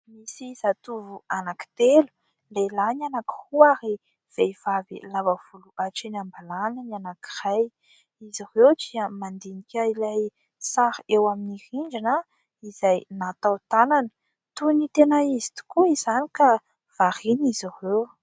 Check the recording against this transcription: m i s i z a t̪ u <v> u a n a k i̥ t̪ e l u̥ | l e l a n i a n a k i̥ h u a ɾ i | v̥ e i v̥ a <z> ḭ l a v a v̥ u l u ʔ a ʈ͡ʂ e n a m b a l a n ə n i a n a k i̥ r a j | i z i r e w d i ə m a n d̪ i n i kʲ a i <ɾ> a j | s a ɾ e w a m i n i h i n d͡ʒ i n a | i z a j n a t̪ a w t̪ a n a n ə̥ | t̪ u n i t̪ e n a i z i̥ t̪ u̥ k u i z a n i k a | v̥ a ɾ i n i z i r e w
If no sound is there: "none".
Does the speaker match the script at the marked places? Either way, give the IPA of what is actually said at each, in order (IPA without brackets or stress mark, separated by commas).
v, v, l